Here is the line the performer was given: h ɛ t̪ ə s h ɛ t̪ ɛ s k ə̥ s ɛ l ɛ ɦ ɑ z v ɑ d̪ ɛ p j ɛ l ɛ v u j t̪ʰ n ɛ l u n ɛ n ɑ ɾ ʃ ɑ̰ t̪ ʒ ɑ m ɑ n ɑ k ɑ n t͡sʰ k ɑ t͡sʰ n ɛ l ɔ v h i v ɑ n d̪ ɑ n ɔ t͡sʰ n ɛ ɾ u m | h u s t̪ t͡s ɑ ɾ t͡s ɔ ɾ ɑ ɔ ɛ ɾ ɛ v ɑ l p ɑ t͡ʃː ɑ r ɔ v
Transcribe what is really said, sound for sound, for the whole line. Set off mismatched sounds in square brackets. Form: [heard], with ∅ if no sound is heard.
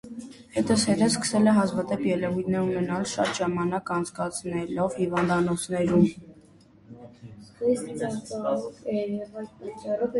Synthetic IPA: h ɛ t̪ ə s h ɛ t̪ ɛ s k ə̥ s ɛ l ɛ ɦ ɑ z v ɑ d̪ ɛ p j ɛ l ɛ v u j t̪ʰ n ɛ [ɾ] u n ɛ n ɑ [l] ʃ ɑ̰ t̪ ʒ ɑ m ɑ n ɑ k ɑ n t͡sʰ k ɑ t͡sʰ n ɛ l ɔ v h i v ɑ n d̪ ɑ n ɔ t͡sʰ n ɛ ɾ u m | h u s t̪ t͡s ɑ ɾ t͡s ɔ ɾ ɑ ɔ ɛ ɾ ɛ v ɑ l p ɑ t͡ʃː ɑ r ɔ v